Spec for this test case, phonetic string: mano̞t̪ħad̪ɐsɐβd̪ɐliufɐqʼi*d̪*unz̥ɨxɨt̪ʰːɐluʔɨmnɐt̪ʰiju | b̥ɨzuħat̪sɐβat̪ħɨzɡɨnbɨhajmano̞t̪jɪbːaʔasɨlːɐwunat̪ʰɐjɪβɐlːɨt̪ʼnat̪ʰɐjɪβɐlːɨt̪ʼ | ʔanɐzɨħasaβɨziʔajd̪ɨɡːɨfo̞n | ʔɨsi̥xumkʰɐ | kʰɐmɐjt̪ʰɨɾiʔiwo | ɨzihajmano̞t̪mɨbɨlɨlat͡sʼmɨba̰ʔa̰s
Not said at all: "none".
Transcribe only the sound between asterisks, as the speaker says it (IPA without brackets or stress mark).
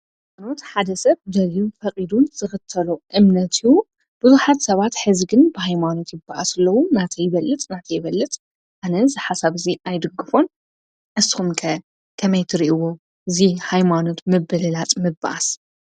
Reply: d̪